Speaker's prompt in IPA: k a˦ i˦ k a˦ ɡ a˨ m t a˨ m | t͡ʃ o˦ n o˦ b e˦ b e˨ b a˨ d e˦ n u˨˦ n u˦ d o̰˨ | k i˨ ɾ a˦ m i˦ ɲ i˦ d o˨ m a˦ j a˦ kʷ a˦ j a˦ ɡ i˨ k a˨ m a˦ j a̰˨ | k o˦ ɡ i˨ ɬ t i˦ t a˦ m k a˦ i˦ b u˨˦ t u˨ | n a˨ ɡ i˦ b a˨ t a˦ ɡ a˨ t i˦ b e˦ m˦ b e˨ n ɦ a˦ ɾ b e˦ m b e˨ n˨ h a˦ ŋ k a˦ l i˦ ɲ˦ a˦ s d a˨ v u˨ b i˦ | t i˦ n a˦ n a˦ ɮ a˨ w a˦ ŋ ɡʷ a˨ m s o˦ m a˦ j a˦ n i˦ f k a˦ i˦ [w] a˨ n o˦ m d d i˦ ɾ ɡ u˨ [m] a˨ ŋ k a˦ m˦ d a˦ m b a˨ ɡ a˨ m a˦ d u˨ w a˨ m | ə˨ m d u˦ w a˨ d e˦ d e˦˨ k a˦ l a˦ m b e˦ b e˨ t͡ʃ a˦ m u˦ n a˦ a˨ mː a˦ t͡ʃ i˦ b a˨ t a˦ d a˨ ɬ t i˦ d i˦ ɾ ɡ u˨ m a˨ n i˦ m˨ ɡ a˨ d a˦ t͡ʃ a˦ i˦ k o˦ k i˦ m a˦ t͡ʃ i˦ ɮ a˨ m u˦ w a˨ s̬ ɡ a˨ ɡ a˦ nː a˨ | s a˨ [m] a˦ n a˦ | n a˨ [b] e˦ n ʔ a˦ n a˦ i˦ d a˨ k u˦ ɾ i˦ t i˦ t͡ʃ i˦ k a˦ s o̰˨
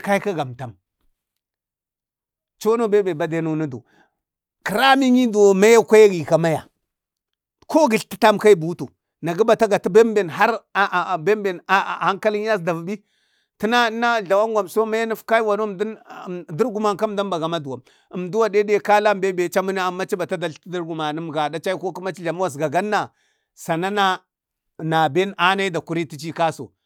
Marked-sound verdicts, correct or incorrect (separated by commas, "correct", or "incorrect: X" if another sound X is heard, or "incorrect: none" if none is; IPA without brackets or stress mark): correct, correct, incorrect: n, correct